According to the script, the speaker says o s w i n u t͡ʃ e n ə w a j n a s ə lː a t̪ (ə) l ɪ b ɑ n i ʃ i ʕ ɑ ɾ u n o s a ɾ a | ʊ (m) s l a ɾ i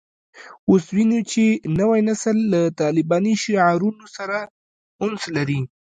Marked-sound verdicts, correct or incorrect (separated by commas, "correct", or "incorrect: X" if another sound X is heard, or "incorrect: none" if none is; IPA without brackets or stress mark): incorrect: ɑ, incorrect: n